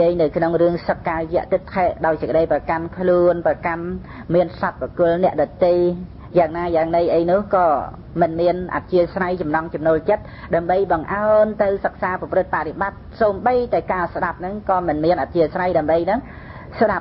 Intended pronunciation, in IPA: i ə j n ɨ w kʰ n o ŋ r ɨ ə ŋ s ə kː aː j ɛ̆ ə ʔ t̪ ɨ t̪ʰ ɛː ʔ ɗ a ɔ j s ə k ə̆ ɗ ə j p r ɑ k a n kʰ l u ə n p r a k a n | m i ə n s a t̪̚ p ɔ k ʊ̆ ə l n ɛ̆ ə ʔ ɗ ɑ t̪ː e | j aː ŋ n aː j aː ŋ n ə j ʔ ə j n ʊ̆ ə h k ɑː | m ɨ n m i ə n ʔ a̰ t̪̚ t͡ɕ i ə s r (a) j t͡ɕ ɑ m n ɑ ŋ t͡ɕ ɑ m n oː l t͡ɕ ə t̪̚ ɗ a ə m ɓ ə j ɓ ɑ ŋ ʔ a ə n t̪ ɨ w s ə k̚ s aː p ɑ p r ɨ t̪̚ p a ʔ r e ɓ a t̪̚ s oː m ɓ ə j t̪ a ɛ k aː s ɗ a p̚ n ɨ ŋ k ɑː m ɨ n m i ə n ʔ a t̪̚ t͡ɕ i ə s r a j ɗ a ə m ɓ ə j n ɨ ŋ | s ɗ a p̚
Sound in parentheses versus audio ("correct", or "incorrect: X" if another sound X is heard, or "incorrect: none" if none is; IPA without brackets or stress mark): correct